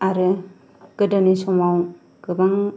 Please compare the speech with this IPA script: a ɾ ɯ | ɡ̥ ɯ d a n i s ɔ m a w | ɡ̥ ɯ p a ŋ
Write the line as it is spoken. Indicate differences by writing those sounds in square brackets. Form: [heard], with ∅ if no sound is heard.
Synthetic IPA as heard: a ɾ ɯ | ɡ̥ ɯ d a n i s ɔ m a w | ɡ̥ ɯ [b] a ŋ